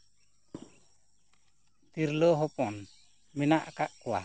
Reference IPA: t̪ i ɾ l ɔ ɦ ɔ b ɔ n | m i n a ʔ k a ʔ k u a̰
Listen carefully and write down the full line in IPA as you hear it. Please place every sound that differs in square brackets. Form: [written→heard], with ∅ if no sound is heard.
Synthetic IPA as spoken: t̪ i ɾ l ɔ ɦ ɔ [b→p] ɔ n | m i n a ʔ k a ʔ k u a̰